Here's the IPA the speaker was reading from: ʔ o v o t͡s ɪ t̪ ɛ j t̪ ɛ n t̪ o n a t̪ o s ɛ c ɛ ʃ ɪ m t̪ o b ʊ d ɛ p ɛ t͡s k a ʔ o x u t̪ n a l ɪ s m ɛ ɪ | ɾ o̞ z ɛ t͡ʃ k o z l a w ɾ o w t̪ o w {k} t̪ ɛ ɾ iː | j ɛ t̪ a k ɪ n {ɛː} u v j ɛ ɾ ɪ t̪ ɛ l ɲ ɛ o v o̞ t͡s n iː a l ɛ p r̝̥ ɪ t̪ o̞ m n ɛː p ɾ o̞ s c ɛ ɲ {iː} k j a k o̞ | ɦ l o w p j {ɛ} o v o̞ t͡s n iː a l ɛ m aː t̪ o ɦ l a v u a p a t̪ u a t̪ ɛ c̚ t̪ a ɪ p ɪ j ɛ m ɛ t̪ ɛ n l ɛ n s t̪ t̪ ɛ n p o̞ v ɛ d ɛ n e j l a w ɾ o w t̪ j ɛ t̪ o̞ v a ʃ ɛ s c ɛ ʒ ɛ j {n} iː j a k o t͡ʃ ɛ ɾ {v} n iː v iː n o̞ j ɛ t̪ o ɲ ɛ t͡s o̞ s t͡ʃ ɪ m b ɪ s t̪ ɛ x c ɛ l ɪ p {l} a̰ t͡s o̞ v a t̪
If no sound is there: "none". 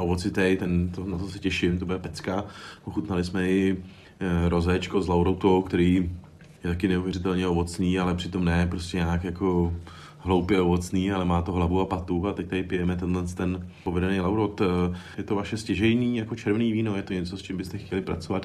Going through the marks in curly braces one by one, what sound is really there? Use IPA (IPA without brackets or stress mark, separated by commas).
k, ɛ, aː, ɛ, n, v, ɾ